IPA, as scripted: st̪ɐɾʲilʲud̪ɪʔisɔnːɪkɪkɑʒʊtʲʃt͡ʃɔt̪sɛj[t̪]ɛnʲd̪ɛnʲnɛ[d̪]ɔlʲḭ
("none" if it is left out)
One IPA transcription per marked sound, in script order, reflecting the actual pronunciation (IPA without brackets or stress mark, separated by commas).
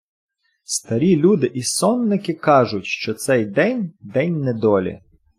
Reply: d̪, d̪